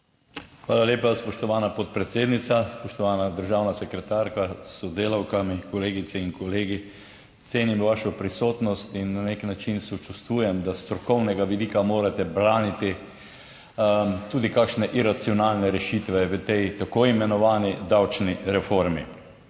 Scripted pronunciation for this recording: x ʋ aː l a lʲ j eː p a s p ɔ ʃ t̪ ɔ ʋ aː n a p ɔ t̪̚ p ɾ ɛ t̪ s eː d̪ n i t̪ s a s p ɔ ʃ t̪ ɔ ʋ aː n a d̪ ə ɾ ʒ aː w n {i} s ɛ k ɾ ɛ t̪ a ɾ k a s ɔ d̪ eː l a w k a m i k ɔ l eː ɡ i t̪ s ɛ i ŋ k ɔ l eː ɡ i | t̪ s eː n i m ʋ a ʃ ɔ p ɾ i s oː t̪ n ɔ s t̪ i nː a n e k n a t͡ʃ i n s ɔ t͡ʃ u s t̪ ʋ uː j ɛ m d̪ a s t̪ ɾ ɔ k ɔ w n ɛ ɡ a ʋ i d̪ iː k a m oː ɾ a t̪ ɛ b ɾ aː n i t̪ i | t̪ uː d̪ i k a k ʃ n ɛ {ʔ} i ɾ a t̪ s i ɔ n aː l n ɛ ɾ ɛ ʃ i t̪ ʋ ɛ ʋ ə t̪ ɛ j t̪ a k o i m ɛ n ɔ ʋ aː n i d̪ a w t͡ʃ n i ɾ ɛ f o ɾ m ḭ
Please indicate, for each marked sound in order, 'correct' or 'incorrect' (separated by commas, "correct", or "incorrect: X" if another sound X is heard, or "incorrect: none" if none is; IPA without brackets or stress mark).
incorrect: a, correct